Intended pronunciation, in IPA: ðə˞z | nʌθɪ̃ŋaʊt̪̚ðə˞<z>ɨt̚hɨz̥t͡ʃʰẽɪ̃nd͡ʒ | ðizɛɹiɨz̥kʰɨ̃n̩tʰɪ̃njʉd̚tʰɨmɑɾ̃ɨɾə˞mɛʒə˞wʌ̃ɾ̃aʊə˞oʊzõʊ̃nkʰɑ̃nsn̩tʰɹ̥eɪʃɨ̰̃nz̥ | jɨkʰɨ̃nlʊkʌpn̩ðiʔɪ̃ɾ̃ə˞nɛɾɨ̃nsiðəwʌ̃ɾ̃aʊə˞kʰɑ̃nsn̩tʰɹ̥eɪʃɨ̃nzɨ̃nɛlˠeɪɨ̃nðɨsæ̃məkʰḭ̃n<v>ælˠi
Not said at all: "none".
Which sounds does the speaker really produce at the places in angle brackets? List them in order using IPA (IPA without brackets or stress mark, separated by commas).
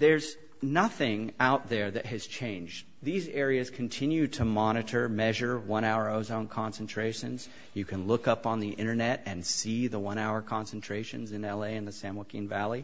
ð, v